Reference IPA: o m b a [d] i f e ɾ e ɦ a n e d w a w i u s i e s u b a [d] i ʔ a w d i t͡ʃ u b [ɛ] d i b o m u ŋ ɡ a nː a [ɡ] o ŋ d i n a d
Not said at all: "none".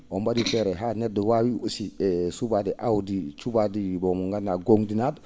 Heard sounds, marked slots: d, d, a, ɡ

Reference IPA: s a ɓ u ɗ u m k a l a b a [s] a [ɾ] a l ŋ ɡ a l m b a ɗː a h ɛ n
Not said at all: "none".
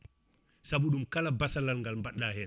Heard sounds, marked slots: s, l

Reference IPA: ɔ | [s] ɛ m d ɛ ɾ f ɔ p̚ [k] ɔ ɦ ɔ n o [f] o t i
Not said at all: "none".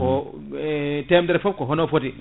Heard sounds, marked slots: t, k, f

